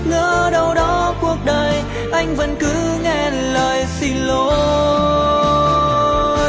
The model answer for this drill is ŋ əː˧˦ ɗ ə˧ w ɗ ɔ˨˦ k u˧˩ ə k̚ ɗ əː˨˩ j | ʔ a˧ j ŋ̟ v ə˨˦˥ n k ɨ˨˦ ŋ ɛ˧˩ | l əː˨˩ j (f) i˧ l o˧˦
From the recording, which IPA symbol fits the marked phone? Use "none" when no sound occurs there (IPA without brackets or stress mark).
s